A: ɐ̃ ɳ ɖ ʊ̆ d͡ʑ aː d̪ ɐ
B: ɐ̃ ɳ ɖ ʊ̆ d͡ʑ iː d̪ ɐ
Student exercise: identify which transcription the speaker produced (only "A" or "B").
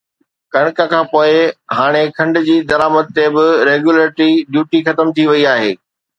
B